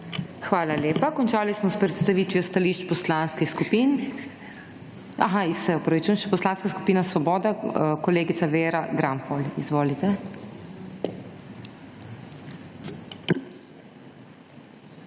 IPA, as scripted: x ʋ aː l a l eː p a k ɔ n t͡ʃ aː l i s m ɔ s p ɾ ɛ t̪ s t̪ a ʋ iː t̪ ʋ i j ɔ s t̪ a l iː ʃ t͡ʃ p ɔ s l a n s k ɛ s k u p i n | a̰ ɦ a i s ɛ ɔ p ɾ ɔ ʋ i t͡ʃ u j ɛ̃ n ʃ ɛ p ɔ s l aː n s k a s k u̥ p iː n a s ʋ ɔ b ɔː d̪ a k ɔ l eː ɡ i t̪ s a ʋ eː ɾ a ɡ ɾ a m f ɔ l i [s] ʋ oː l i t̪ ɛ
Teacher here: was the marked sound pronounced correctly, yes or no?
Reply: no